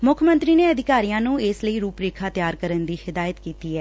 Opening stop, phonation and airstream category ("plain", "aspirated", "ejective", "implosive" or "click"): aspirated